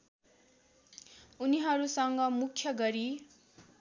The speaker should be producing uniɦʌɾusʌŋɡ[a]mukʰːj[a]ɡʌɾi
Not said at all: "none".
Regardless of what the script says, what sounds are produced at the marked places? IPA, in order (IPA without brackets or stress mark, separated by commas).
ʌ, ʌ